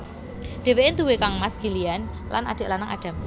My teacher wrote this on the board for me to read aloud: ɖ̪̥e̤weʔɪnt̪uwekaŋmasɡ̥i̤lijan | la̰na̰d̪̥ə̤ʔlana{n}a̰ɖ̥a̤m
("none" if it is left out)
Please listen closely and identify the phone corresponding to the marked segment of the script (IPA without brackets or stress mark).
ŋ